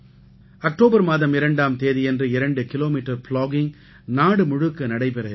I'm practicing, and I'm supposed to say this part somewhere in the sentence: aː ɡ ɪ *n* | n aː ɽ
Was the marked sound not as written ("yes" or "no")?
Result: yes